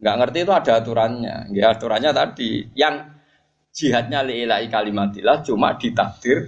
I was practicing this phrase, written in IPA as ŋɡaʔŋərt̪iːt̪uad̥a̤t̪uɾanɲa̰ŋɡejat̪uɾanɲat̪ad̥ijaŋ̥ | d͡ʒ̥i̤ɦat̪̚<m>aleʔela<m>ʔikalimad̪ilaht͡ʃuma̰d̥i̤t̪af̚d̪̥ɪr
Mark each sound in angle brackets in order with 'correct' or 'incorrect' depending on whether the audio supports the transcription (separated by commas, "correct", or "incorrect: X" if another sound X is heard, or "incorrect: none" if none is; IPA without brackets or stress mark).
incorrect: ɲ, incorrect: none